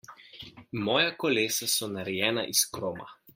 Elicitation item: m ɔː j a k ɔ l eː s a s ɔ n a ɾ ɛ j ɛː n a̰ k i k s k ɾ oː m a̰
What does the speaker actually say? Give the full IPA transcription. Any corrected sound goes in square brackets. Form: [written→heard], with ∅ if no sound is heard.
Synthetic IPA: m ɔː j a k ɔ l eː s a s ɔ n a ɾ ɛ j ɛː n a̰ [k→ʔ] i [k→∅] s k ɾ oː m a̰

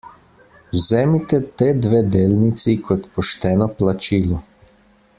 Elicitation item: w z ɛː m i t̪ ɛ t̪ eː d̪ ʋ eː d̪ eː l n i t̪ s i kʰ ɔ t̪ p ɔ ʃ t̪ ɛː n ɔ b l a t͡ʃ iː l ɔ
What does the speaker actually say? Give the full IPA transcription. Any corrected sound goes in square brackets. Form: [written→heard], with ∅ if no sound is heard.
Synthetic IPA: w z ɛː m i t̪ ɛ t̪ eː d̪ ʋ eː d̪ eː l n i t̪ s i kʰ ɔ t̪ p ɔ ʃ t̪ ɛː n ɔ [b→p] l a t͡ʃ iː l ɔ

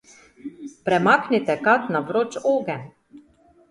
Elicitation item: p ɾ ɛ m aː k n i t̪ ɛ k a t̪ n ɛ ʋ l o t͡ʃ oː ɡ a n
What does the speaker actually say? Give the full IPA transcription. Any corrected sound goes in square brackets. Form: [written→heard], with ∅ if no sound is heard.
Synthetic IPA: p ɾ ɛ m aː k n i t̪ ɛ k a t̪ n [ɛ→a] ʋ [l→ɾ] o t͡ʃ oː ɡ [a→ɛ] n

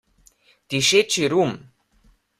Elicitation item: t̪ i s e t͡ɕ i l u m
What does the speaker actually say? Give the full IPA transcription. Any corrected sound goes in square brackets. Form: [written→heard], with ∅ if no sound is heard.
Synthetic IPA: t̪ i [s→ʃ] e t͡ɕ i [l→ɾ] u m

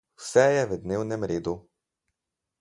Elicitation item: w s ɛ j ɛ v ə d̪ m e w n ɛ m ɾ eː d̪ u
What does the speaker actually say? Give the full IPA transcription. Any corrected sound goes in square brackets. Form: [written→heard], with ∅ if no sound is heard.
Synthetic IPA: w s ɛ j ɛ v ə d̪ [m→n] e w n ɛ m ɾ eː d̪ u

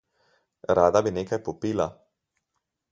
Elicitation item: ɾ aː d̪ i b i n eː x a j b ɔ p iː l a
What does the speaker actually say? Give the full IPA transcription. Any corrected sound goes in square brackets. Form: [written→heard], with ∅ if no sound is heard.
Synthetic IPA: ɾ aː d̪ [i→a] b i n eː [x→k] a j [b→p] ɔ p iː l a

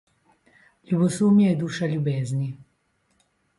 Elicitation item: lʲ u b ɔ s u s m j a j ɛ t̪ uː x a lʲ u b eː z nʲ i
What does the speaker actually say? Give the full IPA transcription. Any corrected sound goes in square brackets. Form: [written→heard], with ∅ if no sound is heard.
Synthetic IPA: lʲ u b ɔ s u [s→∅] m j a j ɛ [t̪→d̪] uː [x→ʃ] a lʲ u b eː z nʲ i

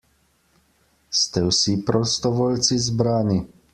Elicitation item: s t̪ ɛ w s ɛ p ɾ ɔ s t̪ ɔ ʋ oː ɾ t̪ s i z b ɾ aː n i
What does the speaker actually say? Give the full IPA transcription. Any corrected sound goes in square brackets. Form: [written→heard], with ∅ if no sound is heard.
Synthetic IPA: s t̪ ɛ w s [ɛ→i] p ɾ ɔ s t̪ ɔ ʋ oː [ɾ→l] t̪ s i z b ɾ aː n i

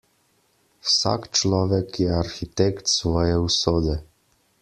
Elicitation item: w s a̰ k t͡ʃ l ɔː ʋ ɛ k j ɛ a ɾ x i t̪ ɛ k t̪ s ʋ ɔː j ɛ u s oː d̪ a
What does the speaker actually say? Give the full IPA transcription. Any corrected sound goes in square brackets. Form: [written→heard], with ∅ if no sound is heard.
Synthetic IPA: w s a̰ k t͡ʃ l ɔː ʋ ɛ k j ɛ a ɾ x i t̪ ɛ k t̪ s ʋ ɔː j ɛ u s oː d̪ [a→ɛ]

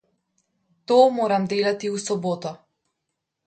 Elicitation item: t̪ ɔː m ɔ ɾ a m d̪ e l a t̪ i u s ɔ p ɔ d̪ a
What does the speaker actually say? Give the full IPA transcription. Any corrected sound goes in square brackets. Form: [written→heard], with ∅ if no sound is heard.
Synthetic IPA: t̪ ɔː m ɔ ɾ a m d̪ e l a t̪ i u s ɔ [p→b] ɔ [d̪→t̪] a

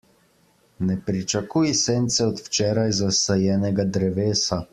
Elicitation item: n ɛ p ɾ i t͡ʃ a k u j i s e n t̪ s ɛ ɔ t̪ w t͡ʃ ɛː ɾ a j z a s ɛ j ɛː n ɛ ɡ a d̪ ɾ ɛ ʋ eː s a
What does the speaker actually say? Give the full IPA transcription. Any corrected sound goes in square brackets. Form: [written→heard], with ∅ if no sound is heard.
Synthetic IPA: n ɛ p ɾ i t͡ʃ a k u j i s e n t̪ s ɛ ɔ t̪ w t͡ʃ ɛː ɾ a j z a s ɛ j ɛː n ɛ ɡ a d̪ ɾ ɛ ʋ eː s a

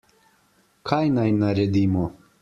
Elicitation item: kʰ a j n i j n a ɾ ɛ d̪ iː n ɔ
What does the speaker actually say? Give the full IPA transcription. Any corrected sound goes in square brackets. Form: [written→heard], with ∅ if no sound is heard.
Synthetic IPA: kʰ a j n [i→a] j n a ɾ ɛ d̪ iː [n→m] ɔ

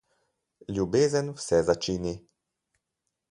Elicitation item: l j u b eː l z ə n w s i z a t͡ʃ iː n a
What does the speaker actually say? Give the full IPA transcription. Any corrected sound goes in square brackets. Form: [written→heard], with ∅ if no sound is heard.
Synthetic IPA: l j u b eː [l→∅] z ə n w s [i→ɛ] z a t͡ʃ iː n [a→i]

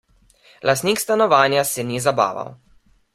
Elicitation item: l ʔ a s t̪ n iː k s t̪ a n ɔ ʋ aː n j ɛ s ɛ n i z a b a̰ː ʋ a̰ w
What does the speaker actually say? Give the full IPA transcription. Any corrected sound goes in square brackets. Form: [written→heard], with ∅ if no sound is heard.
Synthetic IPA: l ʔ a s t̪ n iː k s t̪ a n ɔ ʋ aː n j [ɛ→a] s ɛ n i z a b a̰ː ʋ a̰ w

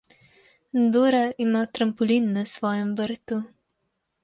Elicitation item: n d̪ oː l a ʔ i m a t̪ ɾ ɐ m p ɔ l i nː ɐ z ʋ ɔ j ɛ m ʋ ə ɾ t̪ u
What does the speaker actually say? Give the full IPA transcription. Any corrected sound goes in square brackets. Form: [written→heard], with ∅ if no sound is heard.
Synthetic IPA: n d̪ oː [l→ɾ] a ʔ i m a t̪ ɾ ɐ m p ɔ l i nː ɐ [z→s] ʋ [ɔ→ɔː] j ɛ m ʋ ə ɾ t̪ u

